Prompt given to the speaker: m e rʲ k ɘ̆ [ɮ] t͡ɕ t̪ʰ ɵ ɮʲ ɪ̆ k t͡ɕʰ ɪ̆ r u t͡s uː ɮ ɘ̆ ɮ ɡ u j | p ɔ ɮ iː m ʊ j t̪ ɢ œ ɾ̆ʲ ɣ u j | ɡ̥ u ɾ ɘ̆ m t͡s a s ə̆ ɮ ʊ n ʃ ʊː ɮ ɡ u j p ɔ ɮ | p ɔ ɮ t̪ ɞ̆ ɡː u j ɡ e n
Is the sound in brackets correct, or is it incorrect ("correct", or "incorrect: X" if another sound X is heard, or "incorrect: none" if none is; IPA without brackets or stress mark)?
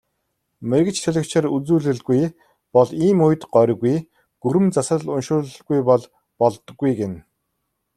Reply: incorrect: none